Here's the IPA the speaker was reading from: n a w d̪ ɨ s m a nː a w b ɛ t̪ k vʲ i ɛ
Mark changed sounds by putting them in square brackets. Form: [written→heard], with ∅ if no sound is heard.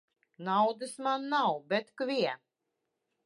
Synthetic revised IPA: n a w d̪ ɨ s m a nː a w b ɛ t̪ k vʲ i ɛ